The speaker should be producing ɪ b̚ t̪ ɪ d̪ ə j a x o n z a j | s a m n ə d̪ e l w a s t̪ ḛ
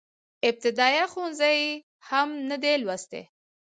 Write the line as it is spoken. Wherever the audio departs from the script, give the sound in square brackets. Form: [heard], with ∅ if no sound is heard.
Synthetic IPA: ɪ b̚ t̪ ɪ d̪ [ɑ] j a x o n z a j | [h] a m n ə d̪ e l w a s t̪ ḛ